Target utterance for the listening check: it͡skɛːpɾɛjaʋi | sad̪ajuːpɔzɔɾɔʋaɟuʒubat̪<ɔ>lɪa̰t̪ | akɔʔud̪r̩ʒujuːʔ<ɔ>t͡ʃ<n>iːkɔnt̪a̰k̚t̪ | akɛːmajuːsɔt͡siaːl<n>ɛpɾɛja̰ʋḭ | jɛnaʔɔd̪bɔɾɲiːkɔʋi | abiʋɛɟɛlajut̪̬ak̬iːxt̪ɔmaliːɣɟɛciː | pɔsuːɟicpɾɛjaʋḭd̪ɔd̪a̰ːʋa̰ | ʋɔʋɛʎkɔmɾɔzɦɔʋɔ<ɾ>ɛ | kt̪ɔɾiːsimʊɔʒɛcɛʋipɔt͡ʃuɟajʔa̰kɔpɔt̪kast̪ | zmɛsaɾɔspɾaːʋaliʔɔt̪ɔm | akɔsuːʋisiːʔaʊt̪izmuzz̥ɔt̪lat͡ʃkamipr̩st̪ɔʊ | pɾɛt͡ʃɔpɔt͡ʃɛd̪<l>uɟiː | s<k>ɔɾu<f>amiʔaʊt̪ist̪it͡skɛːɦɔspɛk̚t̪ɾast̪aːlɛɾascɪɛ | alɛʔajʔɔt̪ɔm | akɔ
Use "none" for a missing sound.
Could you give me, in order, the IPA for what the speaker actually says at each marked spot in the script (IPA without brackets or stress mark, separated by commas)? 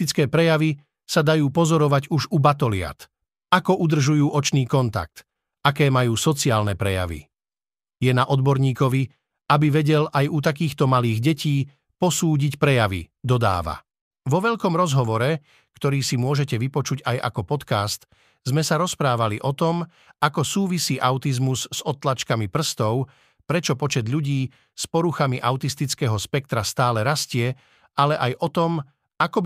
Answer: ɔ, ɔ, n, n, ɾ, ʎ, p, x